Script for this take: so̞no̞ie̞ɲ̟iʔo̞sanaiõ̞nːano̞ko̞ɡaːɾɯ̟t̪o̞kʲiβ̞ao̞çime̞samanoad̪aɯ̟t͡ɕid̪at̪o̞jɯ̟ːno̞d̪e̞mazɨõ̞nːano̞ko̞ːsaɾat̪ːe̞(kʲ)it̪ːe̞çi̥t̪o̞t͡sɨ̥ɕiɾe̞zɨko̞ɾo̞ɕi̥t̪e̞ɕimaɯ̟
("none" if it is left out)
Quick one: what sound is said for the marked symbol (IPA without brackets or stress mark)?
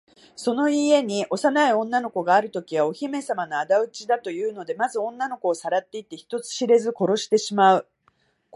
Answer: none